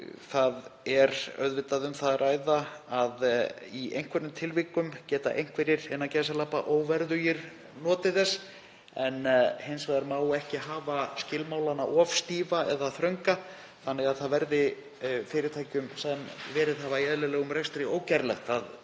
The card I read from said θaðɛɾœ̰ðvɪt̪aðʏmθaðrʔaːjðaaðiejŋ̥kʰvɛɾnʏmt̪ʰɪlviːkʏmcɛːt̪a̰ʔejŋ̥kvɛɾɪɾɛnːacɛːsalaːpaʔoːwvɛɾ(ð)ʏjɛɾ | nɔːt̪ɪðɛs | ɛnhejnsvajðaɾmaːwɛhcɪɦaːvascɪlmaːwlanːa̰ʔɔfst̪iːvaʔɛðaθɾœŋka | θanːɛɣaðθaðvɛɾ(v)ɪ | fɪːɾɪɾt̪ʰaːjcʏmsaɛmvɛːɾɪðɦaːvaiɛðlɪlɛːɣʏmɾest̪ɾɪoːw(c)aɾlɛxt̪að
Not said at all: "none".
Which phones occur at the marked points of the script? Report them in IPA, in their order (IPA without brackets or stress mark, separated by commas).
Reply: ð, ð, c